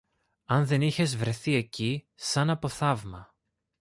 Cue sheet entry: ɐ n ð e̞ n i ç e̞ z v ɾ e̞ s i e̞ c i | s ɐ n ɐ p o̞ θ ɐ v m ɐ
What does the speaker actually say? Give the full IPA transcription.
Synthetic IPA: ɐ n ð e̞ n i ç e̞ z v ɾ e̞ θ i e̞ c i | s ɐ n ɐ p o̞ θ ɐ v m ɐ